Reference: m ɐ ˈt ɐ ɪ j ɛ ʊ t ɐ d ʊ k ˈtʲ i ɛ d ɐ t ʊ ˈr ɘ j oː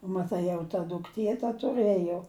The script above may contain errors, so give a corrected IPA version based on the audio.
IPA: m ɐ ˈt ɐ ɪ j ɛ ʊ t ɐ d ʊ k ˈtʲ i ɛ t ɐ t ʊ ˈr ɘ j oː

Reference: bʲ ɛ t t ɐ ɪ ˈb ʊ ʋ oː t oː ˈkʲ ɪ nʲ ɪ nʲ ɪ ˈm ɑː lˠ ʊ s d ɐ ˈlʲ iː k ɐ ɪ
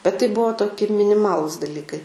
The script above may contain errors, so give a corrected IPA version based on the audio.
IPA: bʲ ɛ t t ɐ ɪ ˈb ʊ ʋ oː t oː ˈkʲ ɪ mʲ ɪ nʲ ɪ ˈm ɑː lˠ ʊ s d ɐ ˈlʲ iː k ɐ ɪ

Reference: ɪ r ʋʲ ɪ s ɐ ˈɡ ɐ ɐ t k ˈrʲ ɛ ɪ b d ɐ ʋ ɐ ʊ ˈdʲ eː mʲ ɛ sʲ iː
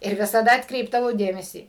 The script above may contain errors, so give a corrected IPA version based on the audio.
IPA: ɪ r ʋʲ ɪ s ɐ ˈd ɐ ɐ t k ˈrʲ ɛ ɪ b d ɐ ʋ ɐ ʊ ˈdʲ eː mʲ ɛ sʲ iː

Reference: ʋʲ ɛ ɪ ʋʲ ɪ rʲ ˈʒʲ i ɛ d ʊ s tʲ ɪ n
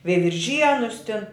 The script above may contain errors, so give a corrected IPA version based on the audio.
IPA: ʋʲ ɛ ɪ ʋʲ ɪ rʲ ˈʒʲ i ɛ n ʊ s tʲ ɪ n

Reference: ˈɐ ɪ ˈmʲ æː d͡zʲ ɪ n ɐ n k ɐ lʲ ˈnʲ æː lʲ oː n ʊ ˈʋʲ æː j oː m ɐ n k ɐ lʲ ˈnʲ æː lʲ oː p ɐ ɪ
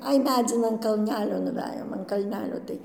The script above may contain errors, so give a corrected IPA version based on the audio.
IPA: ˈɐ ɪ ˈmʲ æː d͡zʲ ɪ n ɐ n k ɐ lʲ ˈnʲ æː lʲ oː n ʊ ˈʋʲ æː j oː m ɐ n k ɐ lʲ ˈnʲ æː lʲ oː t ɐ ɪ

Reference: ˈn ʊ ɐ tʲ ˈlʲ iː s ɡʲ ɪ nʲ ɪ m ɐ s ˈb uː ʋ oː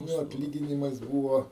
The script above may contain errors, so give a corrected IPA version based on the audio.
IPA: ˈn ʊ ɐ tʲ ˈlʲ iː ɡʲ ɪ nʲ ɪ m ɐ s ˈb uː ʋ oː

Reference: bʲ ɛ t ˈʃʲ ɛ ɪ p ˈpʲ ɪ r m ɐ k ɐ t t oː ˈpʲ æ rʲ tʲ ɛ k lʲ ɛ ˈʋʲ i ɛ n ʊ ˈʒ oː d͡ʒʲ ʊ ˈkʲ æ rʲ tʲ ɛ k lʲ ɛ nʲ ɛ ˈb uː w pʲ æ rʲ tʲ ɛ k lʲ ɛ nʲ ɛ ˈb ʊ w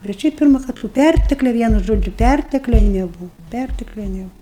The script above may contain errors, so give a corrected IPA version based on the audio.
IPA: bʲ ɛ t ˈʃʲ ɛ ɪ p ˈpʲ ɪ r m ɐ k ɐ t t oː ˈpʲ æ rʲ tʲ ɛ k lʲ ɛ ˈʋʲ i ɛ n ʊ ˈʒ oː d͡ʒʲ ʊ ˈpʲ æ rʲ tʲ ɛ k lʲ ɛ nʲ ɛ ˈb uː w pʲ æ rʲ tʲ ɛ k lʲ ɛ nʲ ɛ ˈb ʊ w

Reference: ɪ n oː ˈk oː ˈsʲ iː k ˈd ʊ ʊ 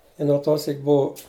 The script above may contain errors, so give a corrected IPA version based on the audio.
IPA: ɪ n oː ˈt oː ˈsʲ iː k ˈb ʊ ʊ

